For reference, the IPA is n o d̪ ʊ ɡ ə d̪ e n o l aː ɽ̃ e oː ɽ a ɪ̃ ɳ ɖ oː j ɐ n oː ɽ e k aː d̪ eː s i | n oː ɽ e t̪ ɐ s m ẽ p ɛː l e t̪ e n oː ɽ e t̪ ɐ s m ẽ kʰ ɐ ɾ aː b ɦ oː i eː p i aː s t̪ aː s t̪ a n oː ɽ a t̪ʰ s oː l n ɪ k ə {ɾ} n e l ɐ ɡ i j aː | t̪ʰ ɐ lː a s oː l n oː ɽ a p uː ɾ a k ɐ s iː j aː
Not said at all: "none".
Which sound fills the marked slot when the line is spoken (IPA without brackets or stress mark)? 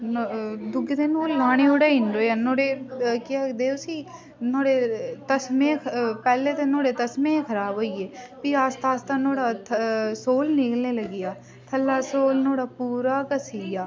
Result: l